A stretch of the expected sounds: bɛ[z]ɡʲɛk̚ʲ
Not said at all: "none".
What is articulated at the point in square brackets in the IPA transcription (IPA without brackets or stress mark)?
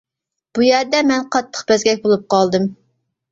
z